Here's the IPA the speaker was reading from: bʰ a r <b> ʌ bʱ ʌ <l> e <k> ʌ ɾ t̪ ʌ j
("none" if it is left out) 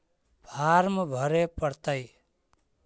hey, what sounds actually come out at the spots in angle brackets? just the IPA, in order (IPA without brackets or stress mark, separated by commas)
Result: m, ɾ, p